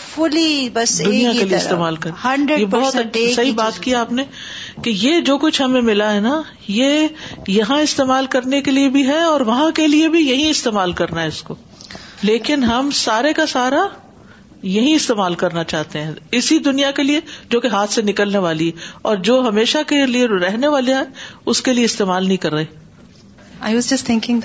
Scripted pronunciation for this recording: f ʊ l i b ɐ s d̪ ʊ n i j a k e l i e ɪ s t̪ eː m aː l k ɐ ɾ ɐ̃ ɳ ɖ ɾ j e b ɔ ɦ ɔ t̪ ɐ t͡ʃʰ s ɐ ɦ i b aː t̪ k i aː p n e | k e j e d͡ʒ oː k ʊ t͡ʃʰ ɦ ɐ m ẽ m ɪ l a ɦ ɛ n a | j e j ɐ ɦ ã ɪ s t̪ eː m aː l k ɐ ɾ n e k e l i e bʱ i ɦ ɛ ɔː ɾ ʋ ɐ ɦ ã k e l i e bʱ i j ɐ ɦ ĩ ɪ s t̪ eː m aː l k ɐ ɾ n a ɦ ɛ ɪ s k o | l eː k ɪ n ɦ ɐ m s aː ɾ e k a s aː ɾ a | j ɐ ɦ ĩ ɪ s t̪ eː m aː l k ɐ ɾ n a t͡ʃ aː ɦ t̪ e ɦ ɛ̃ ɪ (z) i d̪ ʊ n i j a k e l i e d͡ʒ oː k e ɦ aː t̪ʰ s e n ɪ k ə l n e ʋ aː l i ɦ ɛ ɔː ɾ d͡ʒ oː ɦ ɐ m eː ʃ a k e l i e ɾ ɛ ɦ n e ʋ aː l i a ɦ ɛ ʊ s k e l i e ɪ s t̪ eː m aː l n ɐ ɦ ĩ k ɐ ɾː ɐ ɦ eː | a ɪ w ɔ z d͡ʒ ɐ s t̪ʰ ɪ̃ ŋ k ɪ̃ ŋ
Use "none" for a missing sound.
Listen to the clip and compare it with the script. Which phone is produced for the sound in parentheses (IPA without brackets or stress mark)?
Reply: s